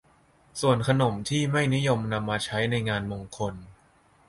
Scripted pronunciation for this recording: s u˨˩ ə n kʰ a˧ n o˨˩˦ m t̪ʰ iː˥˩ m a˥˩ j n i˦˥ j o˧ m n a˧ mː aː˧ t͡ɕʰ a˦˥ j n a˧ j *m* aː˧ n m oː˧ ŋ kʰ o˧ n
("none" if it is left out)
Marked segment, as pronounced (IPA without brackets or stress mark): ŋ